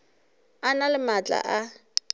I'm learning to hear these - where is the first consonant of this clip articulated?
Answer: tongue tip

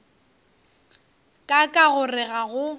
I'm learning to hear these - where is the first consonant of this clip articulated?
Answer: velum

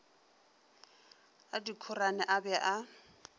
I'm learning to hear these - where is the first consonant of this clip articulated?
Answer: tongue tip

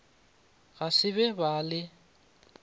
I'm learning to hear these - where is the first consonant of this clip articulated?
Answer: velum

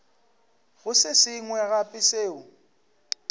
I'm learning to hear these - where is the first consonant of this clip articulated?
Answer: velum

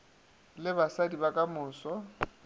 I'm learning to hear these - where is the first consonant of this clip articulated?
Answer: tongue tip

